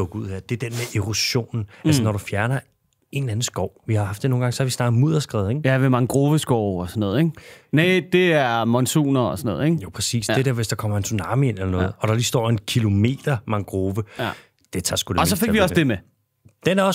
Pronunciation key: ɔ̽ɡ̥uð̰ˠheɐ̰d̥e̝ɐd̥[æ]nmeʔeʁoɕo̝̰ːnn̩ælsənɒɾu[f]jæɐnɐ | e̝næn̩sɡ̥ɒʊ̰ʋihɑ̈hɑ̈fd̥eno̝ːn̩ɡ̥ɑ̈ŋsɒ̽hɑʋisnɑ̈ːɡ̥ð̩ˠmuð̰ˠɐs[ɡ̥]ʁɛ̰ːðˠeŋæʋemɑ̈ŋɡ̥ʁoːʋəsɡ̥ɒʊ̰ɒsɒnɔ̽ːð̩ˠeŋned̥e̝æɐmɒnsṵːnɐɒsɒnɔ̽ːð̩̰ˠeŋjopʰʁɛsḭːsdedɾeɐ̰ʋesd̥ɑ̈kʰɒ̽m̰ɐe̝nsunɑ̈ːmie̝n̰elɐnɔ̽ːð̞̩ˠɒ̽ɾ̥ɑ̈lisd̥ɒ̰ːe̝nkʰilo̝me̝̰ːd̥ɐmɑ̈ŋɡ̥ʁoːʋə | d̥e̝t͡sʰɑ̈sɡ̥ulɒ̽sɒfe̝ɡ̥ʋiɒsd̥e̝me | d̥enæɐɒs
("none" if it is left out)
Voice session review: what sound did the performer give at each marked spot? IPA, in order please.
e, f, ɡ̥

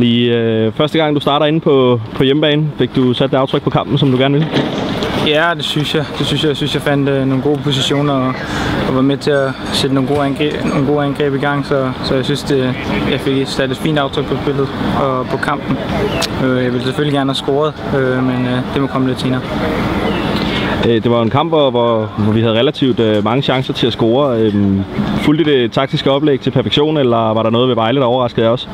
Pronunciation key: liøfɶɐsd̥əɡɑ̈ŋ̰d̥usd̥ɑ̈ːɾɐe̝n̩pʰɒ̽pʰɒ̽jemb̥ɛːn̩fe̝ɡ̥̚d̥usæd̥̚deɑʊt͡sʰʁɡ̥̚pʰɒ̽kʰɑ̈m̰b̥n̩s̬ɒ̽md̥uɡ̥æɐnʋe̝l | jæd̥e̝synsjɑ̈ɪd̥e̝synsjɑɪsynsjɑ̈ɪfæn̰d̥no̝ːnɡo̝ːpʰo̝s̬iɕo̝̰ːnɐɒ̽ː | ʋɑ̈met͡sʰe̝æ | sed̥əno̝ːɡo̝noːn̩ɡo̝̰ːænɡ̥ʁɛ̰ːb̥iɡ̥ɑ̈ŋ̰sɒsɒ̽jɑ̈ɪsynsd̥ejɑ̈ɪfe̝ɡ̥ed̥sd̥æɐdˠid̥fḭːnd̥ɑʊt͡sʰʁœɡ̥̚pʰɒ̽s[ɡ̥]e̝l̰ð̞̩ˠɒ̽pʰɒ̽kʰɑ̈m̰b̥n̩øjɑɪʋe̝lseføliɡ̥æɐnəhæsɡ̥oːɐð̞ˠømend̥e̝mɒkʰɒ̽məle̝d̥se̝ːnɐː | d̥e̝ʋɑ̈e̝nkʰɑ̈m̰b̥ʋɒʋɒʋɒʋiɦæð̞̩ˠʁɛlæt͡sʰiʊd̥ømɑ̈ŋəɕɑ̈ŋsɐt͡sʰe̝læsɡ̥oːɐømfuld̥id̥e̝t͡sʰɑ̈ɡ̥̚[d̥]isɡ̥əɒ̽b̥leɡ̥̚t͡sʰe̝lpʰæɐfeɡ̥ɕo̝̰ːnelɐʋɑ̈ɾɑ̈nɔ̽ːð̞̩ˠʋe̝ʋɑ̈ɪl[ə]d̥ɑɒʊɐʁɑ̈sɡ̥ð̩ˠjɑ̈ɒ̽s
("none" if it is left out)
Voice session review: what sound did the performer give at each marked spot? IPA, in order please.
b̥, d̥, ə

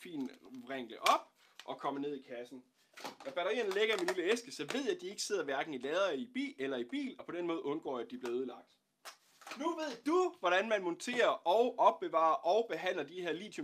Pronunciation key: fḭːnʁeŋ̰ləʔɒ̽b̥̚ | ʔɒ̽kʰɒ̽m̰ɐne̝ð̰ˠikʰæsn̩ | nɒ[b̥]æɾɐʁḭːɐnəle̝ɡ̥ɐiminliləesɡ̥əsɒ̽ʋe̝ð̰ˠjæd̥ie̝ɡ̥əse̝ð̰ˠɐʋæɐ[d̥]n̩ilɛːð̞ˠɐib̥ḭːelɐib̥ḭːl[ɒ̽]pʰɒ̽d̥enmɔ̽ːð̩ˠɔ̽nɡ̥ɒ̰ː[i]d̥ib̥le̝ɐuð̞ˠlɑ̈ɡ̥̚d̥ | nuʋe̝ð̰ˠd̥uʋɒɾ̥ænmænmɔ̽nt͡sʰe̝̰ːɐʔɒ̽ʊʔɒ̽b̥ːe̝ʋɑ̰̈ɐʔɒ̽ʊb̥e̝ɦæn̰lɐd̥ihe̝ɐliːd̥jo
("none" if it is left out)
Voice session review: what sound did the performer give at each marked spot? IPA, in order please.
b̥, ɡ̥, ɒ̽, æ

